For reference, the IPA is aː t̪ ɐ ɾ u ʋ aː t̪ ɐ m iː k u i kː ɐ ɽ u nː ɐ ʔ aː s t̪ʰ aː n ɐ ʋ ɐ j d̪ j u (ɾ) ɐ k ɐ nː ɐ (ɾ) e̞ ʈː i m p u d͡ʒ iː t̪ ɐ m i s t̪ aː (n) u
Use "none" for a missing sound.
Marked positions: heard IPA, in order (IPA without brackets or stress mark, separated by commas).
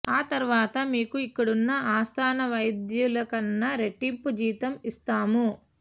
l, ɾ, m